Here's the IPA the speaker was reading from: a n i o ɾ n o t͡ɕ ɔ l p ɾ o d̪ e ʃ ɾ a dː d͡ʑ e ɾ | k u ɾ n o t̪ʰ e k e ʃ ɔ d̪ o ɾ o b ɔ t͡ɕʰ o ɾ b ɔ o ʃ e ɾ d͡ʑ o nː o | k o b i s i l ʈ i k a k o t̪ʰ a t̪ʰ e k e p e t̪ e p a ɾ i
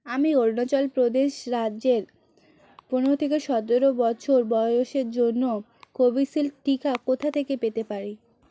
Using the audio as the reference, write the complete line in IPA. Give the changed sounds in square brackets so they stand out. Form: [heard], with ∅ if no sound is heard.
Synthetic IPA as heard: a [m] i o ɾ n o t͡ɕ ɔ l p ɾ o d̪ e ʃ ɾ a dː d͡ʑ e ɾ | [p] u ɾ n o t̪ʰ e k e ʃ ɔ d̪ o ɾ o b ɔ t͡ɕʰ o ɾ b ɔ o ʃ e ɾ d͡ʑ o nː o | k o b i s i l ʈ i k a k o t̪ʰ a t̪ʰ e k e p e t̪ e p a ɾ i